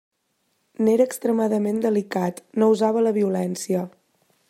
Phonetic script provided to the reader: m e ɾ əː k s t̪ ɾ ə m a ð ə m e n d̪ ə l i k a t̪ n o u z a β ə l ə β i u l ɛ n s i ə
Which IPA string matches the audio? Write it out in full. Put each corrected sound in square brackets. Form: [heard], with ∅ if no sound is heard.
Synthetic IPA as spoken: [n] e ɾ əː k s t̪ ɾ ə m a ð ə m e n d̪ ə l i k a t̪ n o u z a β ə l ə β i u l ɛ n s i ə